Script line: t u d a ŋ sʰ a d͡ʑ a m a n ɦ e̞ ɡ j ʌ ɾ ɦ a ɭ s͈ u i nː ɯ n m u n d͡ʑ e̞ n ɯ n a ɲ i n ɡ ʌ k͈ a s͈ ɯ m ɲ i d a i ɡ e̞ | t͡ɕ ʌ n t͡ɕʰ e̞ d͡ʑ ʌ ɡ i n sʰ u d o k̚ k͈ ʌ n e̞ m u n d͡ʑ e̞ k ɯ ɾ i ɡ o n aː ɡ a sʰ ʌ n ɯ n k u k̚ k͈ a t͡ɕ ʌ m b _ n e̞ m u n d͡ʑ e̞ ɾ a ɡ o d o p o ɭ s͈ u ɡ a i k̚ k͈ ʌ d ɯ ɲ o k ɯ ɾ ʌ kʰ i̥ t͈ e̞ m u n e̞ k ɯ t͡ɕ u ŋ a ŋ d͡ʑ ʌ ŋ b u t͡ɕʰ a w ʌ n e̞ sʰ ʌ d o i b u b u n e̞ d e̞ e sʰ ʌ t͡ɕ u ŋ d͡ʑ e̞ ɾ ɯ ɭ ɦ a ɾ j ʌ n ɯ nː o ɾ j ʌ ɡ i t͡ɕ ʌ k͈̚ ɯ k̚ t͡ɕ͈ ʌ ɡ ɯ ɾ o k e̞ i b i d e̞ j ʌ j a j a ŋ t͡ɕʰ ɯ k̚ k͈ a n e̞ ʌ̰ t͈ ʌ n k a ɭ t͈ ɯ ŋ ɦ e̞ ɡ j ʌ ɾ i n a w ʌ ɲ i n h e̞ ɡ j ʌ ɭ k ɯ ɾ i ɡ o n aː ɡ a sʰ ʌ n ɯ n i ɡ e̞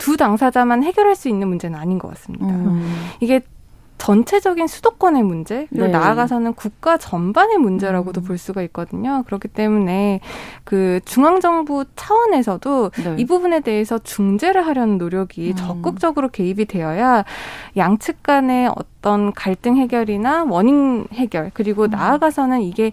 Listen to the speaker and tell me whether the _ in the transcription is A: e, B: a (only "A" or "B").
B